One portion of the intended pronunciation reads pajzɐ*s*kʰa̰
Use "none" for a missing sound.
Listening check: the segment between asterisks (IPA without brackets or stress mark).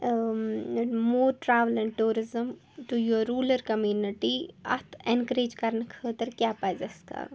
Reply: s